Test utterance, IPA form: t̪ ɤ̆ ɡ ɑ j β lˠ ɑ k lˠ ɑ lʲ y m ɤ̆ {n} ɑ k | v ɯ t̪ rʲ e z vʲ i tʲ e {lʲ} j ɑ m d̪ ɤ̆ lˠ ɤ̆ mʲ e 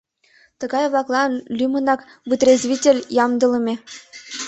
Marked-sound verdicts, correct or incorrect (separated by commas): correct, correct